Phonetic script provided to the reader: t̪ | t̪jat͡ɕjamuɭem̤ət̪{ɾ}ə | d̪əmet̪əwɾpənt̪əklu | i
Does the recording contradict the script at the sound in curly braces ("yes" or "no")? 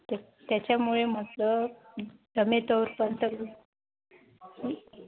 yes